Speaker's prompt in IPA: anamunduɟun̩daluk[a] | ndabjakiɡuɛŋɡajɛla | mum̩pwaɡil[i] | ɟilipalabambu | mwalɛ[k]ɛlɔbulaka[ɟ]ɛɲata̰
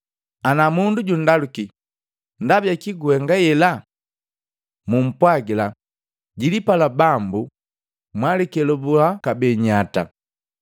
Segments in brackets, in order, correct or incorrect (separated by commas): incorrect, incorrect, correct, incorrect